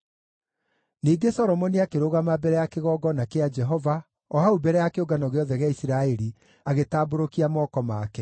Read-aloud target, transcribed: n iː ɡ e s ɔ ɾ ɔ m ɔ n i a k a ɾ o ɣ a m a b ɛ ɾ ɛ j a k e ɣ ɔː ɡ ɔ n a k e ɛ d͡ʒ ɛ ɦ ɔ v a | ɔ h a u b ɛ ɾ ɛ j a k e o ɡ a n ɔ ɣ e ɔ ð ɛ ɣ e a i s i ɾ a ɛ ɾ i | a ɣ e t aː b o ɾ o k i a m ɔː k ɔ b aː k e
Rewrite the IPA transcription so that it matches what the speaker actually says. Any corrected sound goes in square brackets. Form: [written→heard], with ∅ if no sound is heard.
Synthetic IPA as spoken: n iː ɡ e s ɔ ɾ ɔ m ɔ n i a k [a→e] ɾ o ɣ a m a b ɛ ɾ ɛ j a k e ɣ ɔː ɡ ɔ n a k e [ɛ→a] d͡ʒ ɛ ɦ ɔ v a | ɔ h a u b ɛ ɾ ɛ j a k e o ɡ a n ɔ ɣ e ɔ ð ɛ ɣ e a i s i ɾ a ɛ ɾ i | a ɣ e t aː b o ɾ o k i a m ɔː k ɔ [b→m] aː k [e→ɛ]